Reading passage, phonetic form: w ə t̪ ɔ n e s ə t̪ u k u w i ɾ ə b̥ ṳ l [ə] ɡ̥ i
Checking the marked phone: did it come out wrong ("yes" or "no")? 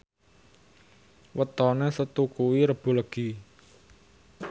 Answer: no